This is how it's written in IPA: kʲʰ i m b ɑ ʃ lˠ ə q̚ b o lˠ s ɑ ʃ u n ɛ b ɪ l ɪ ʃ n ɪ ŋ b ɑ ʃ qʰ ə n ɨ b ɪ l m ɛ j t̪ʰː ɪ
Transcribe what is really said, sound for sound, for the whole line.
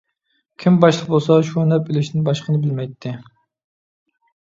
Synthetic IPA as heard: kʲʰ i m b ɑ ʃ lˠ ə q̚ b o lˠ s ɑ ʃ u n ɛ p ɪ l ɪ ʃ n ɪ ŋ b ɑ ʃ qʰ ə n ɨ b ɪ l m ɛ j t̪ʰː ɪ